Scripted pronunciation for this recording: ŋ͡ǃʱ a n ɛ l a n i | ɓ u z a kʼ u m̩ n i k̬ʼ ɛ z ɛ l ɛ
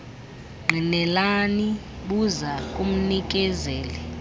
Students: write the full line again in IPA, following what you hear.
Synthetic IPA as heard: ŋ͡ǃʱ i n ɛ l a n i | ɓ u z a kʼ u m̩ n i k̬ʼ ɛ z ɛː l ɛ